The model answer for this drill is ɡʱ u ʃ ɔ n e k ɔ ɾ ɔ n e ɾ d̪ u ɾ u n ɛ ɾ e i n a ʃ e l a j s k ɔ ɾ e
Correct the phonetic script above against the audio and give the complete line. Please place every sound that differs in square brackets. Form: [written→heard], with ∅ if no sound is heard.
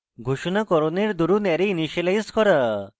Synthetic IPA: ɡʱ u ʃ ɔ n [e→a] k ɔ ɾ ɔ n e ɾ d̪ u ɾ u n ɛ ɾ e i n [a→i] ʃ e l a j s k ɔ ɾ [e→a]

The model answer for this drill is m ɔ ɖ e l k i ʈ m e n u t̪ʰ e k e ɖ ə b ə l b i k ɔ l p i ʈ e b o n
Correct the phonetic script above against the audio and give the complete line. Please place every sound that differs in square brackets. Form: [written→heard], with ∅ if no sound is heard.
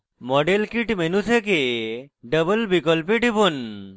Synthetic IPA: m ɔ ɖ e l k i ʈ m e n u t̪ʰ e k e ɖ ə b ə l b i k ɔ l p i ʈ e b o n

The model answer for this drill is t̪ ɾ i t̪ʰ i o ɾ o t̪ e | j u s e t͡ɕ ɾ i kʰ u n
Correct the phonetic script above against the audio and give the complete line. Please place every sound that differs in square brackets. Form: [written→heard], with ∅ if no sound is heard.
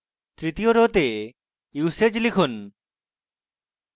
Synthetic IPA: t̪ ɾ i [t̪ʰ→t̪] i o ɾ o t̪ e | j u s e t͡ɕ [ɾ→l] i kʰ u n

